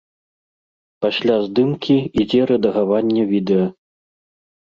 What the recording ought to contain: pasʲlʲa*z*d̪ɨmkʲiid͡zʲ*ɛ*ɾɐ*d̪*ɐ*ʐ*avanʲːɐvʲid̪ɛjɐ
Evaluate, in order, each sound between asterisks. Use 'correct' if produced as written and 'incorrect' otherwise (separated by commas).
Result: correct, correct, correct, incorrect